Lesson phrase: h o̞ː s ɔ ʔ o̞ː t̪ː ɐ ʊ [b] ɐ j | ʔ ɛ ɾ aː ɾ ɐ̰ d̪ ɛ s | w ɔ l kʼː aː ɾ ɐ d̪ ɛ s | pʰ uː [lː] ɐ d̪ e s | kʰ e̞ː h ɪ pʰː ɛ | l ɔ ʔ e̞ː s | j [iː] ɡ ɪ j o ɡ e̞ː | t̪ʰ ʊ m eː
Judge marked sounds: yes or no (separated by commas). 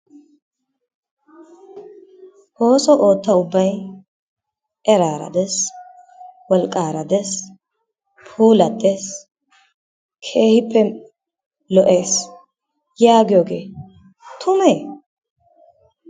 no, no, no